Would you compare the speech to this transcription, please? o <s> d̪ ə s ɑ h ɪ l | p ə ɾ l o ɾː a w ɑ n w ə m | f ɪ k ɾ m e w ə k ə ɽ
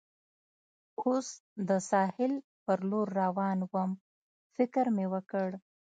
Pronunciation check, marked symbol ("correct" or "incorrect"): correct